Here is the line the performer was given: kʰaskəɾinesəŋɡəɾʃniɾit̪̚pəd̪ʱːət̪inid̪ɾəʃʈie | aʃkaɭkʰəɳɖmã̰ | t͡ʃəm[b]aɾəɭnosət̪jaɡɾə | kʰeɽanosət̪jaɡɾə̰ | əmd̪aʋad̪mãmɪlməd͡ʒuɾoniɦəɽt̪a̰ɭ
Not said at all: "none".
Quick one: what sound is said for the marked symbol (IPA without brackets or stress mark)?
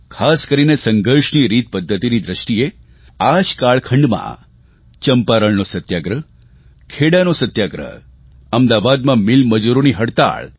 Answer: p